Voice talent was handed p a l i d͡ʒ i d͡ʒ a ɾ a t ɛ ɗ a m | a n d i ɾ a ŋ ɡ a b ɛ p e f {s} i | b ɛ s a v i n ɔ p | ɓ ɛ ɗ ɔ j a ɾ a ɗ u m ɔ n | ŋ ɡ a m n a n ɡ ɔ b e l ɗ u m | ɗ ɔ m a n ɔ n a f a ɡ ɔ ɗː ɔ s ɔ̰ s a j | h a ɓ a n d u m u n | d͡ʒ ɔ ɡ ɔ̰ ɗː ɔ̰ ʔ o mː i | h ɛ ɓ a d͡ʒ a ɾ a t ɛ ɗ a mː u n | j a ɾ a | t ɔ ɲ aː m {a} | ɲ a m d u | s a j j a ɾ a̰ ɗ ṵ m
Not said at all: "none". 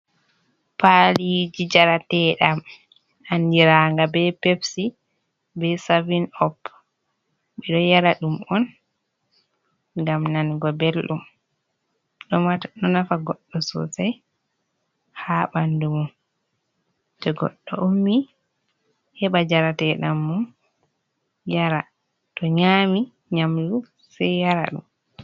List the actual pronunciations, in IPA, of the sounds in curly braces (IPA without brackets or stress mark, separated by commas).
s, i